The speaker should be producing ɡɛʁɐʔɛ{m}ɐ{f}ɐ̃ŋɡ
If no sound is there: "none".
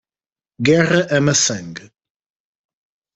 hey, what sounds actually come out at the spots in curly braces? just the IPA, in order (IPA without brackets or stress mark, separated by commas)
m, s